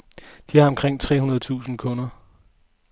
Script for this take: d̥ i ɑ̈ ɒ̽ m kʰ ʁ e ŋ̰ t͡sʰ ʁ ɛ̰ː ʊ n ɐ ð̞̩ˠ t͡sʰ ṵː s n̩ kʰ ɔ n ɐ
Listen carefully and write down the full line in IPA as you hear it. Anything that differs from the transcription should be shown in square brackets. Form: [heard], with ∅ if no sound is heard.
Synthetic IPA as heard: d̥ i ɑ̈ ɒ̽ m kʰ ʁ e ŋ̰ t͡sʰ ʁ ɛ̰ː [u] n ɐ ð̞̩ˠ t͡sʰ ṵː s n̩ kʰ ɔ n ɐ